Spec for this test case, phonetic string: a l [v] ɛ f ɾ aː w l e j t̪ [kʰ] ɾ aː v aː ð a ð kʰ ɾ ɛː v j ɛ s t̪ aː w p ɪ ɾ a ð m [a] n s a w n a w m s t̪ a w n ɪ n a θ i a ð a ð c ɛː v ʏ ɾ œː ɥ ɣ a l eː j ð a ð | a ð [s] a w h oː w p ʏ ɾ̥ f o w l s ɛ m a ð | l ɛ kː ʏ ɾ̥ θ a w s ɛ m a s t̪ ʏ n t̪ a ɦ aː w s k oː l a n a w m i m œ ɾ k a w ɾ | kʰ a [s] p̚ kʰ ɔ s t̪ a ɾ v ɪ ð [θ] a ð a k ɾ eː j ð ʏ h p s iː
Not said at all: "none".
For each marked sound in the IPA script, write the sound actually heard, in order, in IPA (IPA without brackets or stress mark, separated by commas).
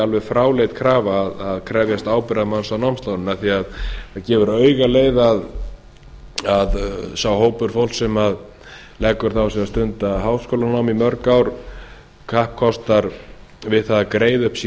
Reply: v, kʰ, a, s, h, θ